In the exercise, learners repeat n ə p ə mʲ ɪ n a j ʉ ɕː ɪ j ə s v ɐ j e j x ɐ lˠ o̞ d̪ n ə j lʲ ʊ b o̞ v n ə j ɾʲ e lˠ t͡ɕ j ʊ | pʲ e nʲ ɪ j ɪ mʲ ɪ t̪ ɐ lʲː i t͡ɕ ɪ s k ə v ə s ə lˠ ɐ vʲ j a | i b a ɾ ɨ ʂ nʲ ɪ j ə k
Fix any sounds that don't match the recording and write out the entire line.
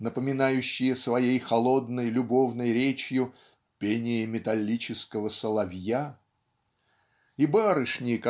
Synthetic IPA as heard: n ə p ə mʲ ɪ n a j ʉ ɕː ɪ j ə s v ɐ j e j x ɐ lˠ o̞ d̪ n ə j lʲ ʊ b o̞ v n ə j ɾʲ e t͡ɕ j ʊ | pʲ e nʲ ɪ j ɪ mʲ ɪ t̪ ɐ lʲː i t͡ɕ ɪ s k ə v ə s ə lˠ ɐ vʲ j a | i b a ɾ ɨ ʂ nʲ ɪ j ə k